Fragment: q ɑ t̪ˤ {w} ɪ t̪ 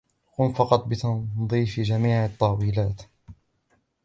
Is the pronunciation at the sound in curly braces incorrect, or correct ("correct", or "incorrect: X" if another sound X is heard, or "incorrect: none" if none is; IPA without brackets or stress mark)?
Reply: incorrect: b